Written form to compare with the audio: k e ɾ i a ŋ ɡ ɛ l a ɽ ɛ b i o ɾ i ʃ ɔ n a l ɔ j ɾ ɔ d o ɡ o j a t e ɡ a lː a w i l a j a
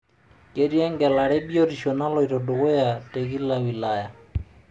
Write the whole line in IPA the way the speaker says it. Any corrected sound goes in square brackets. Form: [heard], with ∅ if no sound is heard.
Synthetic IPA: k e ɾ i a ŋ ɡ ɛ l a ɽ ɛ b i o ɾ i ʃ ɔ n a l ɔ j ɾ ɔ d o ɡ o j a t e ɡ [i] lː a w i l a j a

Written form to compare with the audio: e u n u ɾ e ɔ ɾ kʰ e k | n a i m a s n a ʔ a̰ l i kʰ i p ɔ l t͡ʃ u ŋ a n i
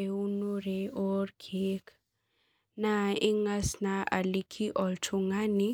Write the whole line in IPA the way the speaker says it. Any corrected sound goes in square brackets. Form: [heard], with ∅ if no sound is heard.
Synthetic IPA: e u n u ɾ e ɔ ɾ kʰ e k | n a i [ŋ] a s n a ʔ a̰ l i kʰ i [ʔ] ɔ l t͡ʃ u ŋ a n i

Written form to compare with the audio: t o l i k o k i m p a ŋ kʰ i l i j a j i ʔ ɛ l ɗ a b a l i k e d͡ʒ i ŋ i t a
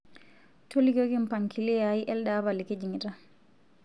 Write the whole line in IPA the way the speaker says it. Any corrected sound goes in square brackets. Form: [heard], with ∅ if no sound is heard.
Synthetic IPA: t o l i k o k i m p a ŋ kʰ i l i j a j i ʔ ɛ l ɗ a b a l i k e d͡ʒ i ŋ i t a

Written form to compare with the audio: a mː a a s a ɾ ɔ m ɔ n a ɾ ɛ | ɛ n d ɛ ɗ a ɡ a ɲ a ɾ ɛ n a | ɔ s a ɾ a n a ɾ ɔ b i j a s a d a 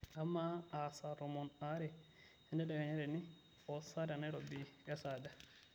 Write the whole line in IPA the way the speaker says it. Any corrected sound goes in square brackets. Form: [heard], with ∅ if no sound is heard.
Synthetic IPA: a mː a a s a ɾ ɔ m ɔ n a ɾ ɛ | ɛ n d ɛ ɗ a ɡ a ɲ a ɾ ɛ n [i] | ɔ s a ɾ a n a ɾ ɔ b i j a s a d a

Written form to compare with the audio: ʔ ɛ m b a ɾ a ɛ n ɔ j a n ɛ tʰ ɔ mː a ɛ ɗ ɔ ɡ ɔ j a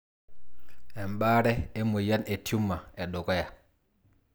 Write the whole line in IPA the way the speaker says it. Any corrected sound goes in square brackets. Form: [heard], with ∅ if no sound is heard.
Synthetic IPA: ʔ ɛ m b a ɾ [ɛ] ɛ [m] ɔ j a n ɛ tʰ [u] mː a ɛ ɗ ɔ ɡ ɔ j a

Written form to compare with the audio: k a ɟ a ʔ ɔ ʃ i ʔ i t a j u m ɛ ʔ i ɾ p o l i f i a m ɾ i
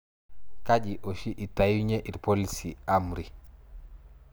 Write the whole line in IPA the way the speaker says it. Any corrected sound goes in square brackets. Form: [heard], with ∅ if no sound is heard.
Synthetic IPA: k a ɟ [i] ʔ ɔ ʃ i ʔ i t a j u [ɲ] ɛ ʔ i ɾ p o l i [s] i a m ɾ i

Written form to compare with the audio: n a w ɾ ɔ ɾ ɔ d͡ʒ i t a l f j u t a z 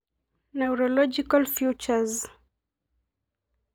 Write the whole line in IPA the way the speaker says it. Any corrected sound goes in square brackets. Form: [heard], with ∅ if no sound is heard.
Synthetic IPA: n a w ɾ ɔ [l] ɔ d͡ʒ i [k] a l f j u [t͡ʃ] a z

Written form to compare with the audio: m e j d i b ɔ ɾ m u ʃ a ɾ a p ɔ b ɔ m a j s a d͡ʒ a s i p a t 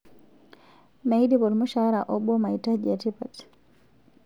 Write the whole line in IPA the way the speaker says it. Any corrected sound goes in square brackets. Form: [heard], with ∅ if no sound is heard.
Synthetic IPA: m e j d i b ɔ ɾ m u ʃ a ɾ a [ʔ] ɔ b ɔ m a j [t] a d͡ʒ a [t] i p a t

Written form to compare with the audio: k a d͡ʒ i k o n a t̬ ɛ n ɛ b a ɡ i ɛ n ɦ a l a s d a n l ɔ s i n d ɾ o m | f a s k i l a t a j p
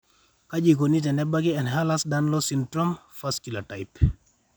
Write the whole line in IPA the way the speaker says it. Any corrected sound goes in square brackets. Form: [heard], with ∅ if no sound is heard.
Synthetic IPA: k a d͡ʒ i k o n [i] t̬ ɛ n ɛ b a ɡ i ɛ n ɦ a l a s d a n l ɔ s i n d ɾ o m | f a s k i l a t a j p

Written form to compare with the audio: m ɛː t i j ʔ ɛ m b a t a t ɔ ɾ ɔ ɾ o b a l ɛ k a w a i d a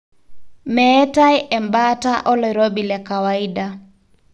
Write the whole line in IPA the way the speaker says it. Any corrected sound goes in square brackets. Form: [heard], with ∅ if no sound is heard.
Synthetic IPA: m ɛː t [a] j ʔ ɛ m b a t a [ʔ] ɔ [l] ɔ ɾ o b [i] l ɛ k a w a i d a

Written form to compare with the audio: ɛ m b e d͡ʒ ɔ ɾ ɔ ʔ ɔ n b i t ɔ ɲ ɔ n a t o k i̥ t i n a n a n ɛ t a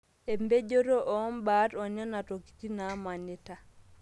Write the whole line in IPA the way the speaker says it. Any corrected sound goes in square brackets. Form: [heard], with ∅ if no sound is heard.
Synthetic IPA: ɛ m b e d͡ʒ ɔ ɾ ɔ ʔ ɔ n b [a] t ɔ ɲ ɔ n a t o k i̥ t i n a [m] a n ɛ t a

